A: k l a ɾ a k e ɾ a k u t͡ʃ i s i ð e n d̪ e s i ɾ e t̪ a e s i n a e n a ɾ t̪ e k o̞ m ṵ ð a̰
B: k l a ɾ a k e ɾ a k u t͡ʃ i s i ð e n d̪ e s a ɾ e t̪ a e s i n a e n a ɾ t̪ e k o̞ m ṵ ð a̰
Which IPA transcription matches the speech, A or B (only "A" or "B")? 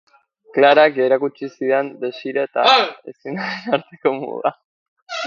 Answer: A